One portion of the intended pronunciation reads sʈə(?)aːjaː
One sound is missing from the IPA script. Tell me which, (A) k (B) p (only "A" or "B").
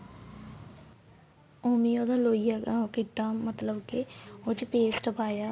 B